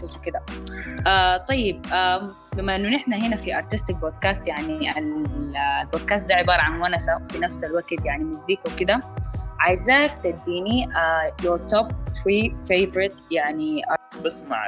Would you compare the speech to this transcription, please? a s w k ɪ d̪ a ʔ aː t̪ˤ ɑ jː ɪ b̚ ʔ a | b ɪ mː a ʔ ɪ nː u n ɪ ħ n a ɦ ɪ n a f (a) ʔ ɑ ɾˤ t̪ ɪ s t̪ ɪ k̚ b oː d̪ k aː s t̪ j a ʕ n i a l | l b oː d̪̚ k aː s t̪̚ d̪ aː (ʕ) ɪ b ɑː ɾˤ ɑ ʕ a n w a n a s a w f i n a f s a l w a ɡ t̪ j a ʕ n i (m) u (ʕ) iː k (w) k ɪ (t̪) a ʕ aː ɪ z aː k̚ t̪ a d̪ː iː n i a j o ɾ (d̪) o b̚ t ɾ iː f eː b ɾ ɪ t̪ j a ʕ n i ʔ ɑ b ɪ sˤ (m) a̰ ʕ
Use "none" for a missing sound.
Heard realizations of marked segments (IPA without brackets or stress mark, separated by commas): i, ʕ, m, z, w, d̪, t̪, m